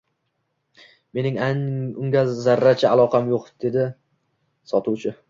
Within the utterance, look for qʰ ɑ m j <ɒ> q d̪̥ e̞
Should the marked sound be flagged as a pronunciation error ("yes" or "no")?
yes